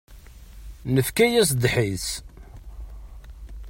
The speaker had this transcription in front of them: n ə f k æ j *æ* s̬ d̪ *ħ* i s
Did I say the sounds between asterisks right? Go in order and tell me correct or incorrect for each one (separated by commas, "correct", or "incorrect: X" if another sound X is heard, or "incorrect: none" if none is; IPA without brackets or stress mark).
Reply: correct, correct